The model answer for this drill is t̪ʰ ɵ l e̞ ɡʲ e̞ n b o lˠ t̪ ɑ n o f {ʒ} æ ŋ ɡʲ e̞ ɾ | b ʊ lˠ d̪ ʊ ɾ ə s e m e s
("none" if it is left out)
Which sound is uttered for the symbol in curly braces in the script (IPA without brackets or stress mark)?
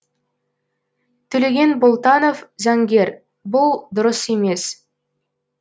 z